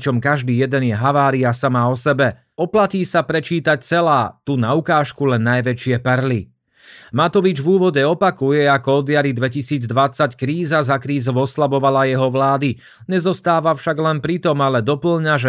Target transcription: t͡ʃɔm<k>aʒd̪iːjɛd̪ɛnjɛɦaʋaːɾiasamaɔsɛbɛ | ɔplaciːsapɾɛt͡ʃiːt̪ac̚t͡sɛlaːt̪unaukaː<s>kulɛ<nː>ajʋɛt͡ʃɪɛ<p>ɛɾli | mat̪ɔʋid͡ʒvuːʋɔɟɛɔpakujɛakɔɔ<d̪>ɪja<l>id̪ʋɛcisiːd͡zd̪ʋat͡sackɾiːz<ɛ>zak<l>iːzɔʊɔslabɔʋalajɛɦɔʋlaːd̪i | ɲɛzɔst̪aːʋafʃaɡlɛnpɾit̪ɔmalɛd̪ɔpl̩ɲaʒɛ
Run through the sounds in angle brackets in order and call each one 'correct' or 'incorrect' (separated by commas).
correct, incorrect, correct, correct, correct, incorrect, incorrect, incorrect